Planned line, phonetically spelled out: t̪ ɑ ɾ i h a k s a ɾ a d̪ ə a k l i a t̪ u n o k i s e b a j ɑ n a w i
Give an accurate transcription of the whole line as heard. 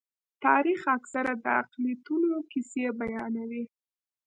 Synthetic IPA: t̪ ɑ ɾ i x a k s a ɾ a d̪ ə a q l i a t̪ u n o k i s e b a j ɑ n a w i